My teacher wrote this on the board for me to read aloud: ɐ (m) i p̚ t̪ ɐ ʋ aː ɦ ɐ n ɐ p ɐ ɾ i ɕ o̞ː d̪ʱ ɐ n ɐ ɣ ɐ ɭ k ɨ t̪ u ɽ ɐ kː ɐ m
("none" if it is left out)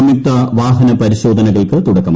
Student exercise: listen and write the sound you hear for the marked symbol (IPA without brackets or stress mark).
m